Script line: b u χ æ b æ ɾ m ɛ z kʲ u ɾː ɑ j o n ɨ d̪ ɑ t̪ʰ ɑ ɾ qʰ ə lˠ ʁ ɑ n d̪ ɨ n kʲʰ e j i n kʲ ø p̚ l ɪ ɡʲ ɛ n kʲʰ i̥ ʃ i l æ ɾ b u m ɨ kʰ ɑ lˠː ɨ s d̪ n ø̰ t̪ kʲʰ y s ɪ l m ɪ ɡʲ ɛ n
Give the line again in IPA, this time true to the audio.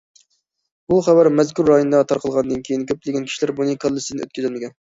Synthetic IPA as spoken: b u χ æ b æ ɾ m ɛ z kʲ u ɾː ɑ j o n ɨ d̪ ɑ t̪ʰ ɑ ɾ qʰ ə lˠ ʁ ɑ n d̪ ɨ n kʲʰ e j i n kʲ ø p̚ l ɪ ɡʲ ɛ n kʲʰ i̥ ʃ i l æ ɾ b u n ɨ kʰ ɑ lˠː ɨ s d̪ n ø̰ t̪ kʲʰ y z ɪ l m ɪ ɡʲ ɛ n

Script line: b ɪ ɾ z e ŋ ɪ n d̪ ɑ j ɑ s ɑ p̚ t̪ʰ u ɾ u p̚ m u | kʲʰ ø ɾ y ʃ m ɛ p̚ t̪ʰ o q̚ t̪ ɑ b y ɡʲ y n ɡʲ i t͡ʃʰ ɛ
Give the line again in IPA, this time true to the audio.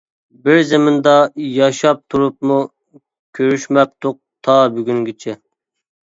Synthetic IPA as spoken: b ɪ ɾ z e m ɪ n d̪ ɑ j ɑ ʃ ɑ p̚ t̪ʰ u ɾ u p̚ m u | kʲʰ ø ɾ y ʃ m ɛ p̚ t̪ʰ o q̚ t̪ʰ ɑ b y ɡʲ y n ɡʲ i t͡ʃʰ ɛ

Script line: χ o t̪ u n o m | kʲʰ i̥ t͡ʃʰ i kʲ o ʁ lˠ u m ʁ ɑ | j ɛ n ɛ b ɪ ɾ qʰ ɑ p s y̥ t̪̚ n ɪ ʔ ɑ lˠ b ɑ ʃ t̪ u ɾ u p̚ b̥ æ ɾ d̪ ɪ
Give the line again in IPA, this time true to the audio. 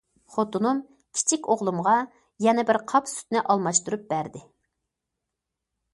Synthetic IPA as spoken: χ o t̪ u n u m | kʲʰ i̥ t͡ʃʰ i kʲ o ʁ lˠ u m ʁ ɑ | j ɛ n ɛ b ɪ ɾ qʰ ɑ p s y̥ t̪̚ n ɪ ʔ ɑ lˠ m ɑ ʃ t̪ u ɾ u p̚ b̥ æ ɾ d̪ ɪ

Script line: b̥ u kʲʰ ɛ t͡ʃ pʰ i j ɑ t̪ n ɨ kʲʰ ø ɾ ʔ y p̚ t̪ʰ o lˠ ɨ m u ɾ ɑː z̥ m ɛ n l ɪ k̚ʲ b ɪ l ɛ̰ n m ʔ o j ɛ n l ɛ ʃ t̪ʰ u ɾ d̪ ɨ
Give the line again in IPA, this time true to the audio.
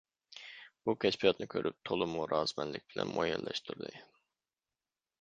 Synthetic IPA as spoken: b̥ u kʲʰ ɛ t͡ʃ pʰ i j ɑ t̪ n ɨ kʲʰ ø ɾ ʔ y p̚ t̪ʰ o lˠ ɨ m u ɾ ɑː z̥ m ɛ n l ɪ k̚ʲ b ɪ l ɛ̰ n m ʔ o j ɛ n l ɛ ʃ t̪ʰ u ɾ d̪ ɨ

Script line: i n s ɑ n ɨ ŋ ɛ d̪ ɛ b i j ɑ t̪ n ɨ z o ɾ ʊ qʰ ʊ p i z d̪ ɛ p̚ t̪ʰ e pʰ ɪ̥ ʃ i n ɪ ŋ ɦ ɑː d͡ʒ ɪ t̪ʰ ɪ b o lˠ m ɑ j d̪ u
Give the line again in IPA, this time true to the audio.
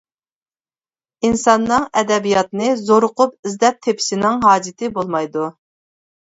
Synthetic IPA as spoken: i n s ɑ nː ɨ ŋ ɛ d̪ ɛ b i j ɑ t̪ n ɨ z o ɾ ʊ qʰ ʊ p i z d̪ ɛ p̚ t̪ʰ e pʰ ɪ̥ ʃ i n ɪ ŋ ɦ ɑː d͡ʒ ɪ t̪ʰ ɪ b o lˠ m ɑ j d̪ u

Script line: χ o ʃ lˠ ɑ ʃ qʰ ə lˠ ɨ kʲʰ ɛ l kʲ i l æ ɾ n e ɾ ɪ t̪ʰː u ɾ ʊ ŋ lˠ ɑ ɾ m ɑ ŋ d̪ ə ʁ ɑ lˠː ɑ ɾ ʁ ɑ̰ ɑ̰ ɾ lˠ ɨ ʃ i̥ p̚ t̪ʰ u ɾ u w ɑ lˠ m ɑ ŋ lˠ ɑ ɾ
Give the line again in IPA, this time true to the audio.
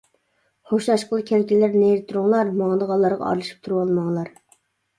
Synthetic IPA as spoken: χ o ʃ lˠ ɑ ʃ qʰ ə lˠ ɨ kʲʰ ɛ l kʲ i l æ ɾ n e ɾ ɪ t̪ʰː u ɾ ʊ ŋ lˠ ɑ ɾ m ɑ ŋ d̪ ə ʁ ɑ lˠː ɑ ɾ ʁ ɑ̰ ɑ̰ ɾ lˠ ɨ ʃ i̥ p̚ t̪ʰ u ɾ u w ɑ lˠ m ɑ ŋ lˠ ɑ ɾ

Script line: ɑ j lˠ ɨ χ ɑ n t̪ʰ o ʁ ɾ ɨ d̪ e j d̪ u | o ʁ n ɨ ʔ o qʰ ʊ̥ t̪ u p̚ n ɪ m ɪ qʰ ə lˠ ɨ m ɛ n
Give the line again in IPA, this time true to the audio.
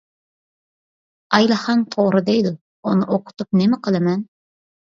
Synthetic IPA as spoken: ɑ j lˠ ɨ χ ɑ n t̪ʰ o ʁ ɾ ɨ d̪ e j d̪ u | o n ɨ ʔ o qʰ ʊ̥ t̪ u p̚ n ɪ m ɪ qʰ ə lˠ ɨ m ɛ n

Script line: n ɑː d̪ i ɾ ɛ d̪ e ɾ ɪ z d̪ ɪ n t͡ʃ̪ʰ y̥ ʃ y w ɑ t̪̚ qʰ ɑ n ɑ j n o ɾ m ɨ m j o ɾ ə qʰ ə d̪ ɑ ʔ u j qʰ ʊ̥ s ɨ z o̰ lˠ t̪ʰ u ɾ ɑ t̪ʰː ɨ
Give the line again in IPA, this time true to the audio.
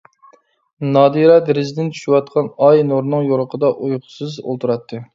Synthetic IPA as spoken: n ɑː d̪ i ɾ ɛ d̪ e ɾ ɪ z d̪ ɪ n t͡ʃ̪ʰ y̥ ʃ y w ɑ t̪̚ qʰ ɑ n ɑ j n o ɾ n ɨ ŋ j o ɾ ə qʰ ə d̪ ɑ ʔ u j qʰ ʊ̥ s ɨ z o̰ lˠ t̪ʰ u ɾ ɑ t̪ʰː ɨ

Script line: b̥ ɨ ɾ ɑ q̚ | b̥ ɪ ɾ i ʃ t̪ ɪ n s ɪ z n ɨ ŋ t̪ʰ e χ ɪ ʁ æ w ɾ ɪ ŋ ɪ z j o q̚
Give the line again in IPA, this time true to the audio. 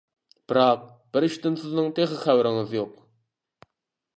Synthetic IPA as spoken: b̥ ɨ ɾ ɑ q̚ | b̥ ɪ ɾ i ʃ t̪ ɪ n s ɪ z n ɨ ŋ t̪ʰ e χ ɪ χ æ w ɾ ɪ ŋ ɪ z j o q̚

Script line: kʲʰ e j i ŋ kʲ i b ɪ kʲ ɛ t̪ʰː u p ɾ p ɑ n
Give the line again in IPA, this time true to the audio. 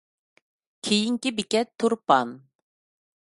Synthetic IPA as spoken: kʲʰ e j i ŋ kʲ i b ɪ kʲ ɛ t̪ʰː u ɾ p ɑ n

